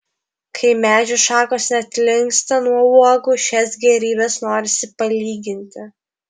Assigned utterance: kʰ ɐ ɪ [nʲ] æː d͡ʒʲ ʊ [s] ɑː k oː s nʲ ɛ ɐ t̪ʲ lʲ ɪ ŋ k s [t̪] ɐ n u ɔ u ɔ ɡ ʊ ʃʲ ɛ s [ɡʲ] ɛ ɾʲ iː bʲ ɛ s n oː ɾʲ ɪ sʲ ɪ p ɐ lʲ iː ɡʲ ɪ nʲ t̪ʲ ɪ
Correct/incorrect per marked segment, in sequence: incorrect, incorrect, correct, correct

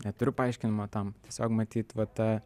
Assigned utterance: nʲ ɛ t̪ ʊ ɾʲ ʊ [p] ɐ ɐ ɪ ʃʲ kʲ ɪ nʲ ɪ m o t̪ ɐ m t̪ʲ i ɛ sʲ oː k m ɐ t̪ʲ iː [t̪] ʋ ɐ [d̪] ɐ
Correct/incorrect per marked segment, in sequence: correct, correct, incorrect

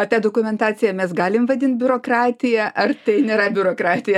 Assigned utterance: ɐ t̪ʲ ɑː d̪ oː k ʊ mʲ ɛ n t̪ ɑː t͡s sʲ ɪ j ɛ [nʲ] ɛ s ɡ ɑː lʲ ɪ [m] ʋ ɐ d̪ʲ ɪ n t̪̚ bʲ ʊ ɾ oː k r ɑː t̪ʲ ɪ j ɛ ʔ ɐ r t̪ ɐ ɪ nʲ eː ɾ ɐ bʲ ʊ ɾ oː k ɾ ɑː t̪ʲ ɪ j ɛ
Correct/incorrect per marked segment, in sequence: incorrect, correct

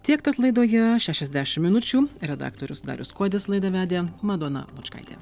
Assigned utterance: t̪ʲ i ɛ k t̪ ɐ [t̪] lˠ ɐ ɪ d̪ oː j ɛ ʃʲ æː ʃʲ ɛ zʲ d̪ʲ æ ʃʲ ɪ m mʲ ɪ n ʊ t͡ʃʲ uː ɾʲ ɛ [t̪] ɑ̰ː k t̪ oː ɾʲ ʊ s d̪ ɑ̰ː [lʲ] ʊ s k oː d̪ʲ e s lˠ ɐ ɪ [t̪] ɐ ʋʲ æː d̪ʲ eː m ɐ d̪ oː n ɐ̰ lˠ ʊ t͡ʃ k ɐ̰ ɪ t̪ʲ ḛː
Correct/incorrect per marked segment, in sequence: correct, incorrect, incorrect, incorrect

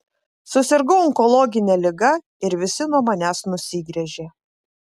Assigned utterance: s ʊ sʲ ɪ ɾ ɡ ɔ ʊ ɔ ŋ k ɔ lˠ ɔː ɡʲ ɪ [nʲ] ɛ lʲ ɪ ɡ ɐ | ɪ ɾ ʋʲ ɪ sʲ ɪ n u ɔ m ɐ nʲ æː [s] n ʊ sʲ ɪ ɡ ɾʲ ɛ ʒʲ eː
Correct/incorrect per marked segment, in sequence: correct, correct

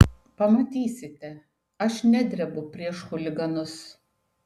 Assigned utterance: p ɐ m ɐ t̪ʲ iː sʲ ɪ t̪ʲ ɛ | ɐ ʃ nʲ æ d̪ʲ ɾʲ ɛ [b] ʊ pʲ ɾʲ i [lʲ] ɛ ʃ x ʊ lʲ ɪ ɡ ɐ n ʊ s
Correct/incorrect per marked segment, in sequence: correct, incorrect

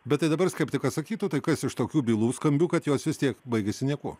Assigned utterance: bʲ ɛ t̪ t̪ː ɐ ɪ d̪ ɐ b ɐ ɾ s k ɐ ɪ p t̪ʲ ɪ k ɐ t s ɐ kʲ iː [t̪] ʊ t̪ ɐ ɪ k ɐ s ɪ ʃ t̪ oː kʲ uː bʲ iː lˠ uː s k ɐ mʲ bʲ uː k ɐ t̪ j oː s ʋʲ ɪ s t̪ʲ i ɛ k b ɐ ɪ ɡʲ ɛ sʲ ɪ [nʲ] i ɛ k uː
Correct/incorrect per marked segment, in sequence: correct, correct

